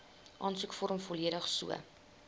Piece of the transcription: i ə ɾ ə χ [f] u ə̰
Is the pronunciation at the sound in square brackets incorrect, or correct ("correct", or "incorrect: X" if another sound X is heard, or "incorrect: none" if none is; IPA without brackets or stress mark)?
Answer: incorrect: s